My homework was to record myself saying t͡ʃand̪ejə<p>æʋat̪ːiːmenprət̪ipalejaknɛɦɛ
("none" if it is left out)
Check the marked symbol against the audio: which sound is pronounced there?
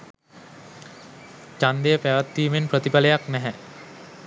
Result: p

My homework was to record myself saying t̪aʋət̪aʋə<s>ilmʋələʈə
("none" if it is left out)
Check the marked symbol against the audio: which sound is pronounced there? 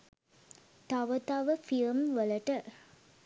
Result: f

